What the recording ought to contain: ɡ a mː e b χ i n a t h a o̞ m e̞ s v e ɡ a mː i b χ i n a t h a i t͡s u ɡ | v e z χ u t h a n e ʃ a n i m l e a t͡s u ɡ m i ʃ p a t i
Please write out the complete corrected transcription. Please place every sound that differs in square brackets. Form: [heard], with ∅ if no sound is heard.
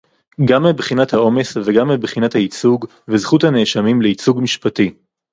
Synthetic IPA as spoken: ɡ a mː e b χ i n a t h a o̞ m e̞ s v e ɡ a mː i b χ i n a t h a i t͡s u ɡ | v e z χ u t h a n e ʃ a [m] i m l e [i] t͡s u ɡ m i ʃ p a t i